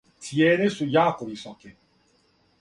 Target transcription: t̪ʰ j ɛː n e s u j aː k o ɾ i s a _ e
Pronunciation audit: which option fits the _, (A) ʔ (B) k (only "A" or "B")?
B